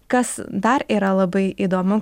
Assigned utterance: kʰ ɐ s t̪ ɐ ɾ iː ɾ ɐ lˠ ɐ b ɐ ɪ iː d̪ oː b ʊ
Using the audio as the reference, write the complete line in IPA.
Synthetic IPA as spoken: k ɐ s d̪ ɐ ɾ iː ɾ ɐ lˠ ɐ b ɐ ɪ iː d̪ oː m ʊ